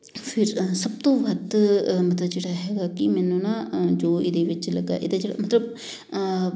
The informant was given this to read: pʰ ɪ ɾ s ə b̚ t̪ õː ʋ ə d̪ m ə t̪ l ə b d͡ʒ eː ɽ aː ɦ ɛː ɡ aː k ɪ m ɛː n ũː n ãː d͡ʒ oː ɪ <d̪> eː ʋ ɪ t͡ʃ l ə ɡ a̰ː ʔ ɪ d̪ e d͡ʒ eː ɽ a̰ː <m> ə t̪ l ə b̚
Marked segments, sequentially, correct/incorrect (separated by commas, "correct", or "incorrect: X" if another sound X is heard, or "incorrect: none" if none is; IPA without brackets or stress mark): correct, correct